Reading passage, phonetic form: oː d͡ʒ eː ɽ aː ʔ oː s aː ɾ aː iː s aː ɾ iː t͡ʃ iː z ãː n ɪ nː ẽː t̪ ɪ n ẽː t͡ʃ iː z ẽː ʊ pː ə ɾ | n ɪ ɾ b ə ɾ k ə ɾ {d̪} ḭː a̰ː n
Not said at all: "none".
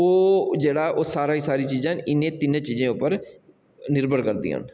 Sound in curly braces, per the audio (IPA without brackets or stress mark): d̪